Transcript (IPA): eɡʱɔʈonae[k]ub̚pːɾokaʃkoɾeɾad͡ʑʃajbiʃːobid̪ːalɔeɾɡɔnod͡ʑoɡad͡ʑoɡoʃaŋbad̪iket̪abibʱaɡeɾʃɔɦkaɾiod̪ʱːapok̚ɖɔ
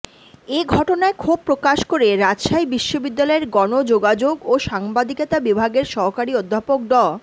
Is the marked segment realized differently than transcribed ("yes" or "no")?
yes